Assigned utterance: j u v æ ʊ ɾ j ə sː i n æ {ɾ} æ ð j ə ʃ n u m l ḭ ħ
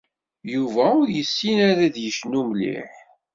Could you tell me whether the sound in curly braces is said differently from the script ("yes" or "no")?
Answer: no